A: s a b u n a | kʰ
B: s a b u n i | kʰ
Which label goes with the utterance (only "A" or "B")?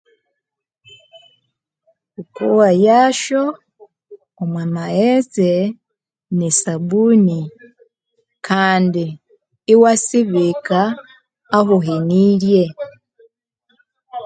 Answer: B